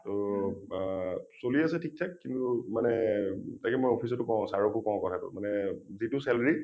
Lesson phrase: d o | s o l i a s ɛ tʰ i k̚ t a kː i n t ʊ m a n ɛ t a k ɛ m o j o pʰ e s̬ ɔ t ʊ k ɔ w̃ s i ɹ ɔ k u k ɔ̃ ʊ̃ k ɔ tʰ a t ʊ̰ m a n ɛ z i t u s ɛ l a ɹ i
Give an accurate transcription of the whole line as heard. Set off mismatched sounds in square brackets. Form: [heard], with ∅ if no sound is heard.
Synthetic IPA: [t] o | s o l i a s ɛ tʰ i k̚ [tʰ] a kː i n t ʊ m a n ɛ t a k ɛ m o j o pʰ [i] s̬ ɔ t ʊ k ɔ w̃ s [a] ɹ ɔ k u k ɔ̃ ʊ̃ k ɔ tʰ a t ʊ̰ m a n ɛ z i t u s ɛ l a ɹ i

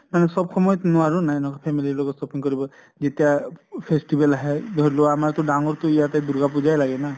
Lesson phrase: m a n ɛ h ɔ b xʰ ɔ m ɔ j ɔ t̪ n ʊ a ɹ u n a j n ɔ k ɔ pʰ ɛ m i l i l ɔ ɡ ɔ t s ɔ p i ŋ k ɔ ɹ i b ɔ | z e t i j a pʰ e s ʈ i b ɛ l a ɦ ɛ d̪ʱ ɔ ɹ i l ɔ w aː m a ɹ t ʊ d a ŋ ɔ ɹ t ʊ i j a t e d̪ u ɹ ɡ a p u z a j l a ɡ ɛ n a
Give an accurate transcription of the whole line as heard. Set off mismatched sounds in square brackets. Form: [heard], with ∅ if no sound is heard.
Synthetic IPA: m a n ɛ [s] ɔ b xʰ ɔ m ɔ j ɔ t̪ n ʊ a ɹ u n a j n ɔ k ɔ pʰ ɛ m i l i l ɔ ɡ ɔ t s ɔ p i ŋ k ɔ ɹ i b ɔ | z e t i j a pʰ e s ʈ i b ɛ l a ɦ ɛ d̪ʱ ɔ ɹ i l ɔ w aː m a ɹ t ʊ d a ŋ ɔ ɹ t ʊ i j a t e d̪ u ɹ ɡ a p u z a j l a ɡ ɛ n a

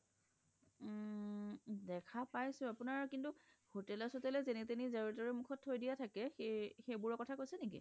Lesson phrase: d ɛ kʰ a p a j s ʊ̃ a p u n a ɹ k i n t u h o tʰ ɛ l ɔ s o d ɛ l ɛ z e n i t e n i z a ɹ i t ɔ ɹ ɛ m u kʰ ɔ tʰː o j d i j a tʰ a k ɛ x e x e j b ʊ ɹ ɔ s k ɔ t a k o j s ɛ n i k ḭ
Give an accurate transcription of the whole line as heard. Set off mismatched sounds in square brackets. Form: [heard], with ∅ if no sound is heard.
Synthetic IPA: d ɛ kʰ a p a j s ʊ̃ a p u n a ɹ k i n t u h o [t] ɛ l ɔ s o [t] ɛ l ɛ z e n i t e n i z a ɹ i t ɔ ɹ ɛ m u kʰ ɔ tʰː o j d i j a tʰ a k ɛ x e x e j b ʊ ɹ ɔ [∅] k ɔ [tʰ] a k o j s ɛ n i k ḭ

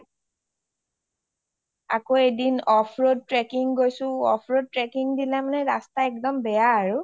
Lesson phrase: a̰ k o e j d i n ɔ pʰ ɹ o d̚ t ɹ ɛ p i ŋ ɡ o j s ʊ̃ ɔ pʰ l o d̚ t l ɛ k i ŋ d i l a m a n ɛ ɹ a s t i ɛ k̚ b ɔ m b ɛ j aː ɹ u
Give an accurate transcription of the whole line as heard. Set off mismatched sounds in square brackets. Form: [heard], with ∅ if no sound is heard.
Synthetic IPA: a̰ k o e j d i n ɔ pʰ ɹ o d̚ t ɹ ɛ [k] i ŋ ɡ o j s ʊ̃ ɔ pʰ [ɹ] o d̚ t [ɹ] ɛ k i ŋ d i l a m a n ɛ ɹ a s t [a] ɛ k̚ [d] ɔ m b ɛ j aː ɹ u

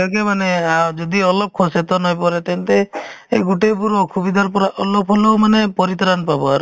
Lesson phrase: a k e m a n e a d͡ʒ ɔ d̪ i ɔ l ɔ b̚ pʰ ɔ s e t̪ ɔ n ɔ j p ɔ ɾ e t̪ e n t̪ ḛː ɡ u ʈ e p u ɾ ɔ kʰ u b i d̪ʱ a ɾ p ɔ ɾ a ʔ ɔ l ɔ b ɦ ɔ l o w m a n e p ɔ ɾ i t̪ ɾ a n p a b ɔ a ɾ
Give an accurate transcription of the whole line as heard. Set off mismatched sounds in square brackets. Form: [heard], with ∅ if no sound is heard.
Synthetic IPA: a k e m a n e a d͡ʒ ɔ d̪ i ɔ l ɔ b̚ [kʰ] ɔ s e t̪ ɔ n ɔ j p ɔ ɾ e t̪ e n t̪ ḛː ɡ u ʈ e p u ɾ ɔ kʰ u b i d̪ʱ a ɾ p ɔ ɾ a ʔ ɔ l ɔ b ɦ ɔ l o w m a n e p ɔ ɾ i t̪ ɾ a n p a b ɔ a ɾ

